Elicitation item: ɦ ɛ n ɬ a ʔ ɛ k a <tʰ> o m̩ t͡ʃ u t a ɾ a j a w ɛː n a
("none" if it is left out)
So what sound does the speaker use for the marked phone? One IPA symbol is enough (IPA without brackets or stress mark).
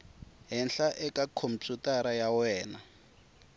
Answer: kʰ